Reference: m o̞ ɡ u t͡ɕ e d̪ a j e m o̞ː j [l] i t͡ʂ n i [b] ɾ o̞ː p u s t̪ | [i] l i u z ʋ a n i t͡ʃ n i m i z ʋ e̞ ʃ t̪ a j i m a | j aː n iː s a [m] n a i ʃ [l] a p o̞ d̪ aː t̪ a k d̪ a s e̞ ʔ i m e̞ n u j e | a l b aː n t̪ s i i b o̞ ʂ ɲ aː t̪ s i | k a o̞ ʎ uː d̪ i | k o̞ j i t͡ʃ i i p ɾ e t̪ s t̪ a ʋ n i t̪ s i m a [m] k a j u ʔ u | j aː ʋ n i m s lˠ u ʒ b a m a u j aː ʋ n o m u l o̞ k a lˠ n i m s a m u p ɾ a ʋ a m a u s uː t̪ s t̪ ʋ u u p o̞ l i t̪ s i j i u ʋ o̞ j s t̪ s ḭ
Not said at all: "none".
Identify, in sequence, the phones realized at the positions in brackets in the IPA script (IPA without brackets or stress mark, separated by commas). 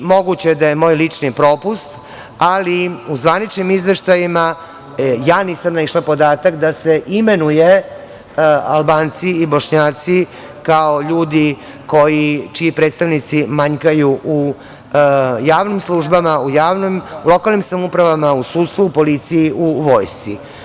l, p, a, m, l, ɲ